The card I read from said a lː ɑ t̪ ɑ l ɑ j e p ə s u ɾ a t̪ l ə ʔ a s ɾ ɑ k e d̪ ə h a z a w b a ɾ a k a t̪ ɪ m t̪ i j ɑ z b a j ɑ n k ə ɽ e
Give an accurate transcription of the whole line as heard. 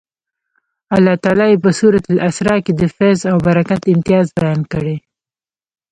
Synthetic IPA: a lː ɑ t̪ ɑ l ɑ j e p ə s u ɾ a t̪ l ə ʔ a s ɾ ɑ k e d̪ ə f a z a w b a ɾ a k a t̪ ɪ m t̪ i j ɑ z b a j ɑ n k ə ɽ e